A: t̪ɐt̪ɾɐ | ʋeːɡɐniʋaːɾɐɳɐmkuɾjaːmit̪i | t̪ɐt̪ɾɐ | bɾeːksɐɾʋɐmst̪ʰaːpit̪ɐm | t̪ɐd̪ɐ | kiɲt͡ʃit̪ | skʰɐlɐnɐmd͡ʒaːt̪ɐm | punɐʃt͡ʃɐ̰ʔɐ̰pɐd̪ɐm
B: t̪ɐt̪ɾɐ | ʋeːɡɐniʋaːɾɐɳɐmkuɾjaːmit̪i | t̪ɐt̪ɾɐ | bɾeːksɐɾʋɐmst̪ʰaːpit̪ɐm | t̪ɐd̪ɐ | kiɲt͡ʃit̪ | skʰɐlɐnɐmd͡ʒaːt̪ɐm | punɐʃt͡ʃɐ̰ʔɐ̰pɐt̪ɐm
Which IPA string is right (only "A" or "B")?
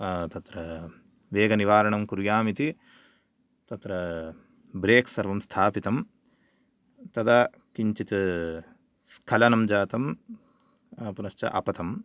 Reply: B